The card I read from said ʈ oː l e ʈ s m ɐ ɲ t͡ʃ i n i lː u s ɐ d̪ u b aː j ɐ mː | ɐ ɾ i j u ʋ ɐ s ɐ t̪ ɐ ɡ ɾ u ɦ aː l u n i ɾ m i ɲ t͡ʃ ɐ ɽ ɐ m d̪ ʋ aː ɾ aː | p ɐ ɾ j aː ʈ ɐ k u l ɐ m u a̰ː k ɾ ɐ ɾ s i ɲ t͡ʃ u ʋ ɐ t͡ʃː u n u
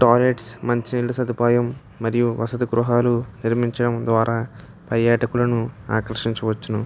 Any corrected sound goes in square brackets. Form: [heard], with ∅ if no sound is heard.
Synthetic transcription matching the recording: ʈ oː l e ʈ s m ɐ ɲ t͡ʃ i n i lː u s ɐ d̪ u [p] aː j ɐ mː | ɐ ɾ i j u ʋ ɐ s ɐ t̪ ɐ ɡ ɾ u ɦ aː l u n i ɾ m i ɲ t͡ʃ ɐ ɽ ɐ m d̪ ʋ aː ɾ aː | p ɐ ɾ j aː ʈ ɐ k u l ɐ [n] u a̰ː k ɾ ɐ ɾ [ʂ] i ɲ t͡ʃ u ʋ ɐ t͡ʃː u n u